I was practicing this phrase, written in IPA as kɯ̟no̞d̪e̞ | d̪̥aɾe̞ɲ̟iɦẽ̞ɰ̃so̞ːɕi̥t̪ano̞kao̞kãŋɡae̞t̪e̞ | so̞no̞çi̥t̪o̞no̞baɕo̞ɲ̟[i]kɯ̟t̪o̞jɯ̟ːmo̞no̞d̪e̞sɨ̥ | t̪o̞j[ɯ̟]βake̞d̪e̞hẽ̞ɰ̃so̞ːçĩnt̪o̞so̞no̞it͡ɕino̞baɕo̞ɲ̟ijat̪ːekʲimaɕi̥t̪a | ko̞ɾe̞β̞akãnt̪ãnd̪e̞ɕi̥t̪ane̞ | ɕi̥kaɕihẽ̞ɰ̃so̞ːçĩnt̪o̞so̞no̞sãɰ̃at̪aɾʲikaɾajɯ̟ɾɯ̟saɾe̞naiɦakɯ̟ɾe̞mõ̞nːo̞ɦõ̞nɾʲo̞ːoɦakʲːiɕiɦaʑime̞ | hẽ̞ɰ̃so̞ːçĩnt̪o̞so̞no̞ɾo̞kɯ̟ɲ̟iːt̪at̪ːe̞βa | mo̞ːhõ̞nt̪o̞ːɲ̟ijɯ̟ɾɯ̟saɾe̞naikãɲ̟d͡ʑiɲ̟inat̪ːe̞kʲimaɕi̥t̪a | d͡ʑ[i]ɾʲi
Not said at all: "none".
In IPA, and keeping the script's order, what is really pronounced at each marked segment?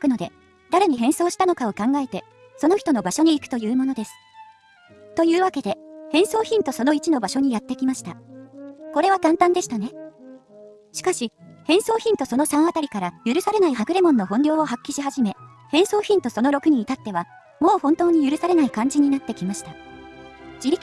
iː, ɯ̟ː, i

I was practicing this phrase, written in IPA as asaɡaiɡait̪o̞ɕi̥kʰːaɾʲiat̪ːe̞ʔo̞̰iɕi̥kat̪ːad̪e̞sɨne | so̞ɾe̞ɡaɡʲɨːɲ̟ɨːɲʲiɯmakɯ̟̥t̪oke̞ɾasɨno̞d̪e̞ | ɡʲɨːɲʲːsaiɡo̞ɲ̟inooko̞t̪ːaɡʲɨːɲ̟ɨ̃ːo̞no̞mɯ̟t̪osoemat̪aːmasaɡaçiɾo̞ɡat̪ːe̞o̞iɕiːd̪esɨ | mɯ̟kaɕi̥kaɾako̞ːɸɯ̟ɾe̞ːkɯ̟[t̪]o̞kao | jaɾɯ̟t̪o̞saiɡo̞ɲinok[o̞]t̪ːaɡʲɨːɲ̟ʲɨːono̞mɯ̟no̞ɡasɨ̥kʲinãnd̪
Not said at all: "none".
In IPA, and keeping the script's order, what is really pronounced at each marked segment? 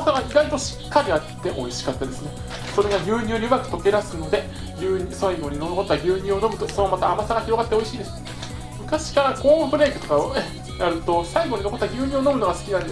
t̪, o̞

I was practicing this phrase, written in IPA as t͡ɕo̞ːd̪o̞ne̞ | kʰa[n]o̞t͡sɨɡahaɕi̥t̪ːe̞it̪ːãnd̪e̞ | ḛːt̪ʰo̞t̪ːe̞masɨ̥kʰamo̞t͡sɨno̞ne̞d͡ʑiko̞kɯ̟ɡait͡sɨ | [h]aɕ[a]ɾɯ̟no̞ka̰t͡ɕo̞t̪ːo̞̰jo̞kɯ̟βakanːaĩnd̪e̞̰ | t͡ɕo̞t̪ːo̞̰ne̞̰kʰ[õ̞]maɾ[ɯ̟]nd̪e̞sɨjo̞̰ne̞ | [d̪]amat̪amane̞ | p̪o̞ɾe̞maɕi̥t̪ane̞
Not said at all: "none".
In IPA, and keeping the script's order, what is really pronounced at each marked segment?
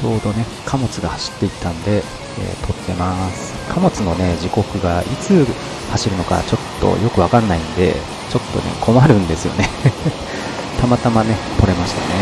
m, h, i, o̞, ɯ̟̃, t̪

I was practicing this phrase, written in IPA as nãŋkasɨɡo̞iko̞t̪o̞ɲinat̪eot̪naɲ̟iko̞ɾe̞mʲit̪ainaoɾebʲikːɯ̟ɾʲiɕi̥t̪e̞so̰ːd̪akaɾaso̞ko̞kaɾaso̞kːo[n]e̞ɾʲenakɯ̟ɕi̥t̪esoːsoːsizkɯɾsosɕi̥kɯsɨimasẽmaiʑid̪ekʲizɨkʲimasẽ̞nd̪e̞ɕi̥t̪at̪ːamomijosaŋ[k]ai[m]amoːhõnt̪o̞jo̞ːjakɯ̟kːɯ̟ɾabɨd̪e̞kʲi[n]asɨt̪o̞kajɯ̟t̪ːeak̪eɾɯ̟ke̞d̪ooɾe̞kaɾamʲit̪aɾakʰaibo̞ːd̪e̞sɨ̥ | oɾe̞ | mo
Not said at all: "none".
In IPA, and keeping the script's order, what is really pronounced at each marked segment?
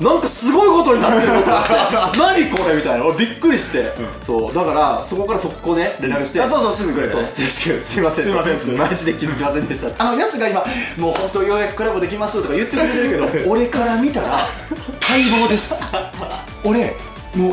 n, ɡ, m, m

